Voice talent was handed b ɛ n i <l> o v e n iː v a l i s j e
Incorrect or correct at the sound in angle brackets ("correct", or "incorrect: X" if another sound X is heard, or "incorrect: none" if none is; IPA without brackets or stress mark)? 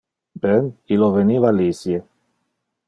correct